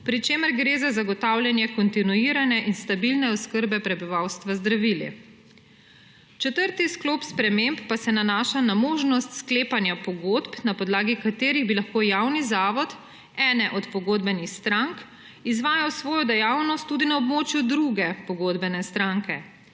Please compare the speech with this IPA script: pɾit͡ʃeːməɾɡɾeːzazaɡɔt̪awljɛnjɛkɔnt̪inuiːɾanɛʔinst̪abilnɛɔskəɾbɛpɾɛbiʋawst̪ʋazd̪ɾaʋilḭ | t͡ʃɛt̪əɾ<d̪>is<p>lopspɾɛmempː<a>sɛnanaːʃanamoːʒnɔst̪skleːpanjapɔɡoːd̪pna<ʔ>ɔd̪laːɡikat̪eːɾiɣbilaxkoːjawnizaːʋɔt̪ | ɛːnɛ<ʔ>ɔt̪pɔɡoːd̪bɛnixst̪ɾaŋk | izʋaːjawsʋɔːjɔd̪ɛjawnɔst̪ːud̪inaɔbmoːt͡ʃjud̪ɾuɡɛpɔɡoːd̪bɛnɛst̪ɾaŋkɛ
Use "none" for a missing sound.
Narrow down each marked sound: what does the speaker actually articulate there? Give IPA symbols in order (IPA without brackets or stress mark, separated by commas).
t̪, k, a, p, ʔ